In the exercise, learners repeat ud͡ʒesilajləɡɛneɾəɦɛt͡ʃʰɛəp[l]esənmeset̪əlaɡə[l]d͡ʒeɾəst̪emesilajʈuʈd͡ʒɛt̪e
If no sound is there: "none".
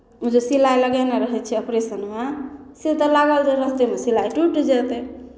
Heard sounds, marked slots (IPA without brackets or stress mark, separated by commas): ɾ, l